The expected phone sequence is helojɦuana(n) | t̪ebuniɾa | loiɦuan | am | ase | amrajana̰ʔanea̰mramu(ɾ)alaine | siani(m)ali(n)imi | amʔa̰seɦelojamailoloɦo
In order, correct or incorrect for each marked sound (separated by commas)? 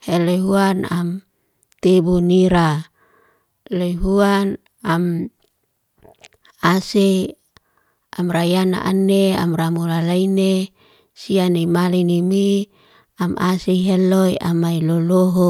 incorrect, incorrect, correct, correct